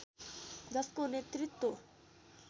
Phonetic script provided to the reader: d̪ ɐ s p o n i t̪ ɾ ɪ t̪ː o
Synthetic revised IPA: d̪ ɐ s k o n e t̪ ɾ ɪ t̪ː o